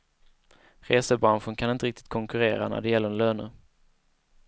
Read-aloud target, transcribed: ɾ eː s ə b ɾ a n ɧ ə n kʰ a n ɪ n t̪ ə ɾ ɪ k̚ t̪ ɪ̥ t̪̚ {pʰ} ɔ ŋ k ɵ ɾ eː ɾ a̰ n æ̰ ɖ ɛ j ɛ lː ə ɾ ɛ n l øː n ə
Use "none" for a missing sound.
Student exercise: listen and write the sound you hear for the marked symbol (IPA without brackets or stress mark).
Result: kʰ